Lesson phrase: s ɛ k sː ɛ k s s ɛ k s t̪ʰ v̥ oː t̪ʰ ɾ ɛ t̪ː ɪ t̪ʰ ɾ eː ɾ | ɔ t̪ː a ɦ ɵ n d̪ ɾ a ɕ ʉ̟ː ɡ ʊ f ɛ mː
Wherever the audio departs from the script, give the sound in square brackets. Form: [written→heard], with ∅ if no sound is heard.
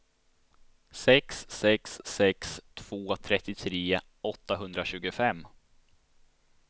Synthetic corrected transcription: s ɛ k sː ɛ k s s ɛ k s t̪ʰ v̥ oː t̪ʰ ɾ ɛ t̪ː ɪ t̪ʰ ɾ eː [ɾ→∅] | ɔ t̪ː a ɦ ɵ n d̪ ɾ a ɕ ʉ̟ː ɡ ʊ f ɛ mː